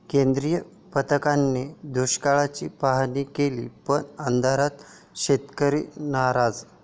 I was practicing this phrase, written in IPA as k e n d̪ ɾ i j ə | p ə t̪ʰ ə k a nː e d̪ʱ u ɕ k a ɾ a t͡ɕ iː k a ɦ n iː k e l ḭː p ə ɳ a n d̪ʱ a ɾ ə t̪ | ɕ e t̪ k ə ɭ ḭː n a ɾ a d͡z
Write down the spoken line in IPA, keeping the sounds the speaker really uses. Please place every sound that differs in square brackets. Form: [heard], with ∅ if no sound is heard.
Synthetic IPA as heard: k e n d̪ ɾ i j ə | p ə [t̪] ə k a nː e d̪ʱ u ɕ k a [ɭ] a t͡ɕ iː [p] a ɦ n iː k e l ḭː p ə ɳ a n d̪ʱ a ɾ [a] t̪ | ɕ e t̪ k ə [ɾ] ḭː n a ɾ a d͡z